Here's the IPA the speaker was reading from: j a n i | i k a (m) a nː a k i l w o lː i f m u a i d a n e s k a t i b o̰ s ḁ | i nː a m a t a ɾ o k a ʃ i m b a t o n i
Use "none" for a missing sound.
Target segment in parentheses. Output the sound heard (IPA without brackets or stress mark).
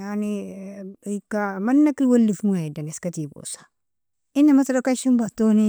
m